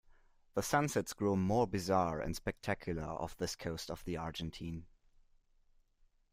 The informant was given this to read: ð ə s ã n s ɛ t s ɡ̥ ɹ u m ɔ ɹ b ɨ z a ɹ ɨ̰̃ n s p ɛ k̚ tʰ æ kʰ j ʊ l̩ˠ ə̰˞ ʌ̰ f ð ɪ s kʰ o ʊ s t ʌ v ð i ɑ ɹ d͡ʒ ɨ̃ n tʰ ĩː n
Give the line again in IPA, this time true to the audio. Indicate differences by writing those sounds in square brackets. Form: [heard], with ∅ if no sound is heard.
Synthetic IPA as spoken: ð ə s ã n s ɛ t s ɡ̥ ɹ u m ɔ ɹ b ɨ z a ɹ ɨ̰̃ n s p ɛ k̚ tʰ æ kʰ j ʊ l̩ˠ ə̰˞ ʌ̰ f ð ɪ s kʰ o ʊ s t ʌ v ð i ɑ ɹ d͡ʒ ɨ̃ n tʰ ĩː n